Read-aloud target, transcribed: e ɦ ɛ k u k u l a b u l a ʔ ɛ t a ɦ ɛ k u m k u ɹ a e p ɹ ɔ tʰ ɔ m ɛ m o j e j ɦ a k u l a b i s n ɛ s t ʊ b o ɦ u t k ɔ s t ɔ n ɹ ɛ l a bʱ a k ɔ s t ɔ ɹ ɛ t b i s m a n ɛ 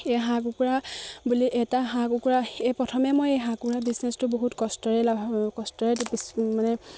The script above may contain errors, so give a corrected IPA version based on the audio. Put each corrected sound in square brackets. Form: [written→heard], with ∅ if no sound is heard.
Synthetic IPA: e ɦ [ɛ→a] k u k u [l→ɹ] a b u l [a→i] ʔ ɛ t a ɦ [ɛ→a] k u [m→∅] k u ɹ a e p ɹ ɔ tʰ ɔ m ɛ m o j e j ɦ a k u [l→ɹ] a b i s n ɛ s t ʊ b o ɦ u t k ɔ s t ɔ [n→∅] ɹ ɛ l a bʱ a k ɔ s t ɔ ɹ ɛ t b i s m a n ɛ